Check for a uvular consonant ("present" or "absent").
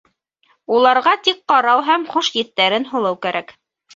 present